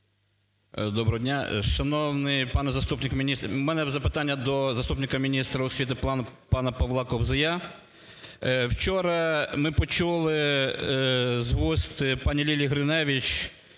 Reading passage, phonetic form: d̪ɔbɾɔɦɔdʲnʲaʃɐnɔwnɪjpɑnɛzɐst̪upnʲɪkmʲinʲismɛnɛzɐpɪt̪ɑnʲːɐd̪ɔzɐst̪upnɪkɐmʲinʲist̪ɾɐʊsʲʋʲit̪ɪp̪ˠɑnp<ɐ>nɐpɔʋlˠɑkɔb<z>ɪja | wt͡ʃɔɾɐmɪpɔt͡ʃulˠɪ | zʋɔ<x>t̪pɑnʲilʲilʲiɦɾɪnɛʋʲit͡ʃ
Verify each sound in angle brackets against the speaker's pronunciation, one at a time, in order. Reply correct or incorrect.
incorrect, correct, incorrect

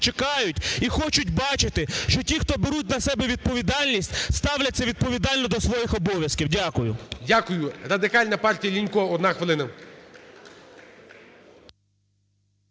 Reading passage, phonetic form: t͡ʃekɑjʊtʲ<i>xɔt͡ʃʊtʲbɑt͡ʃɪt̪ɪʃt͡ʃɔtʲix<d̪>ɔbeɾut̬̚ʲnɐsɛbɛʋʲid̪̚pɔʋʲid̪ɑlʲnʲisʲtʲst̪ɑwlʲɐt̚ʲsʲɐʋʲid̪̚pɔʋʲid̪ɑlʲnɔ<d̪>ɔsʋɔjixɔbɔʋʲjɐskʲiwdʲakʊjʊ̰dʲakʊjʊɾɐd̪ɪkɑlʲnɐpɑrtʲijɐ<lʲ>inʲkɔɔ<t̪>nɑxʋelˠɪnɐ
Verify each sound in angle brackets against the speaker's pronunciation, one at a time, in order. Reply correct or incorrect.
correct, incorrect, correct, correct, incorrect

